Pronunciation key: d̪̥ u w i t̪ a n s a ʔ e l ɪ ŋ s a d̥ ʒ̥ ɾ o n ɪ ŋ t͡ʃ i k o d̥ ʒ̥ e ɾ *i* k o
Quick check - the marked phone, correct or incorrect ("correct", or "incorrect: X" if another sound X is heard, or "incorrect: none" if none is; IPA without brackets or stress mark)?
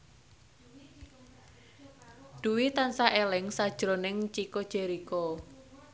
correct